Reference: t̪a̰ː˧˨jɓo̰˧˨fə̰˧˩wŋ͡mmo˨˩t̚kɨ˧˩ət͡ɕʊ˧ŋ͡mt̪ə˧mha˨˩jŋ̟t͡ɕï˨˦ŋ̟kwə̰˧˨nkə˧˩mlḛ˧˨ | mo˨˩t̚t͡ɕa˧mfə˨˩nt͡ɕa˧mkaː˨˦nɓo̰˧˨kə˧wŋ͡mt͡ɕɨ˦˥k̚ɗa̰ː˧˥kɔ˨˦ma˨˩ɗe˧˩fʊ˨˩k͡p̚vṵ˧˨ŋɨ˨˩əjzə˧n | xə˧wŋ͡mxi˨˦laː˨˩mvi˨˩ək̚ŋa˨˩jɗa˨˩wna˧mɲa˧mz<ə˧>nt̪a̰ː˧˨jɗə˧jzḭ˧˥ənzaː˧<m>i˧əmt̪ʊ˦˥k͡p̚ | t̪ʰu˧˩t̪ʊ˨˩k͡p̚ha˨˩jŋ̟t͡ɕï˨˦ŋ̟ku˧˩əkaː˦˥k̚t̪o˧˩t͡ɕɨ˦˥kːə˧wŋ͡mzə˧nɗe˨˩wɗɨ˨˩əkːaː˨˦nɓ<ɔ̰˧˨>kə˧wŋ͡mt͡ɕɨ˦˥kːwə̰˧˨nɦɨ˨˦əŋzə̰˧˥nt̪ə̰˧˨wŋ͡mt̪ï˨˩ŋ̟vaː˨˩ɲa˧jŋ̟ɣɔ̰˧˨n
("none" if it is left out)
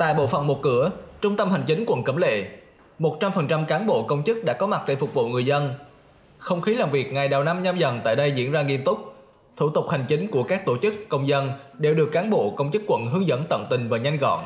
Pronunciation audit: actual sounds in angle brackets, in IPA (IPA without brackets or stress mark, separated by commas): ə˨˩, ŋ, o̰˧˨